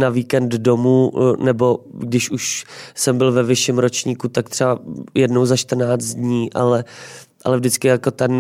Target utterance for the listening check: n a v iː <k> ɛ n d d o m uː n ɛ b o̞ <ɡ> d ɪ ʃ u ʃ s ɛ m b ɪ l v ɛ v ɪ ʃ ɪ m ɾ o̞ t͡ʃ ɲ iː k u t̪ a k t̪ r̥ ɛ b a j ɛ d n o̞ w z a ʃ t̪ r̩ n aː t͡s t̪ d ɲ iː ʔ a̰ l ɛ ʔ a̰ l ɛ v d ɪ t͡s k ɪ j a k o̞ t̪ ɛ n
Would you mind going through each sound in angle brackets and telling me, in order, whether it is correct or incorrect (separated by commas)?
correct, correct